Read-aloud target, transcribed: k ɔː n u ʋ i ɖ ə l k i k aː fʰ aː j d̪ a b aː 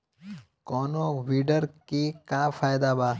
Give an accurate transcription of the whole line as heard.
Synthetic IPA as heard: k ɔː n o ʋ i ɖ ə ɾ k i k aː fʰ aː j d̪ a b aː

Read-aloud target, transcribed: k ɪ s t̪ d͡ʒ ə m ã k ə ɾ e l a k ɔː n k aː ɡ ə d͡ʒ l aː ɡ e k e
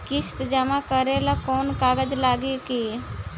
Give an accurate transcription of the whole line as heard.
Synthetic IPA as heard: k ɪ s t̪ d͡ʒ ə m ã k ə ɾ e l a k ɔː n k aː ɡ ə d͡ʒ l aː ɡ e k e

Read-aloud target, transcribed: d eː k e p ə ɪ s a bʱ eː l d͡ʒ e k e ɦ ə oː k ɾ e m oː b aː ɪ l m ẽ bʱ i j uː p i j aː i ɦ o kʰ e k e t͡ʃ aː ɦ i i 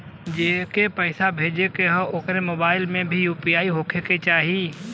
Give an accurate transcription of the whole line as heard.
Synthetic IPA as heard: d͡ʒ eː k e p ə ɪ s a bʱ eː d͡ʒ e k e ɦ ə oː k ɾ e m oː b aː ɪ l m ẽ bʱ i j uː p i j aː i ɦ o kʰ e k e t͡ʃ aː ɦ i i

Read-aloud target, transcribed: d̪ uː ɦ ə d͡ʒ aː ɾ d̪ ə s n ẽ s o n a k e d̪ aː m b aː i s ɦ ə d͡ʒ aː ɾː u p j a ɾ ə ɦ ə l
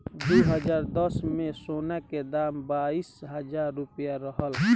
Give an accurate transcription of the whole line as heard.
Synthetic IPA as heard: d̪ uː ɦ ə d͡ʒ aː ɾ d̪ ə s m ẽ s o n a k e d̪ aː m b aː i s ɦ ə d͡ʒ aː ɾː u p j a ɾ ə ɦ ə l

